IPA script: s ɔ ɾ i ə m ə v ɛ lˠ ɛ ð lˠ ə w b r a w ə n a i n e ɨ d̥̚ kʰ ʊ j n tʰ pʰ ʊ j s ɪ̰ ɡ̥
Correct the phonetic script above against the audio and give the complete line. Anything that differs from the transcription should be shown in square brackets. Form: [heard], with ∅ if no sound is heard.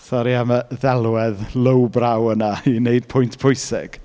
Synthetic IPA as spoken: s ɔ ɾ i [a] m ə [ð] ɛ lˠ ɛ ð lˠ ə w b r a w ə n a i n e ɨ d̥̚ [pʰ] ʊ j n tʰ pʰ ʊ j s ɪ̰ ɡ̥